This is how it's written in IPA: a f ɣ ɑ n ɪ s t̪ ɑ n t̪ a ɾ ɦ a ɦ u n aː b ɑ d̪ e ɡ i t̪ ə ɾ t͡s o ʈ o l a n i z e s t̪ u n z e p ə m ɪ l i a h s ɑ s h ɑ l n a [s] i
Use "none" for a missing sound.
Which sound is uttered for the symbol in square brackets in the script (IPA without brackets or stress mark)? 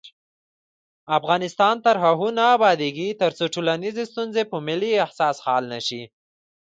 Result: ʃ